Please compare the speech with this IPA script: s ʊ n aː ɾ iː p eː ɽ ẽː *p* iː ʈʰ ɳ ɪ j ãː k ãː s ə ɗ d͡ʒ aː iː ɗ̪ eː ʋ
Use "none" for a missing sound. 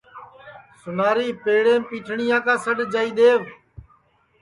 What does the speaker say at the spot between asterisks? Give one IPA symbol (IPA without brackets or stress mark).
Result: p